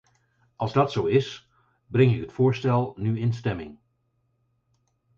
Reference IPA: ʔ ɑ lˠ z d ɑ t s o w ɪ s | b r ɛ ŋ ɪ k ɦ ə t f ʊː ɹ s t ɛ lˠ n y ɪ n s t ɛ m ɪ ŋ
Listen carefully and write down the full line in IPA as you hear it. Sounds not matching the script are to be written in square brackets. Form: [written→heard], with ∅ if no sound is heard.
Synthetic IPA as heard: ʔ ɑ lˠ z d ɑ t s o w ɪ s | b r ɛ ŋ ɪ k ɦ ə t f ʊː ɹ s t ɛ lˠ n y ɪ n s t ɛ m ɪ ŋ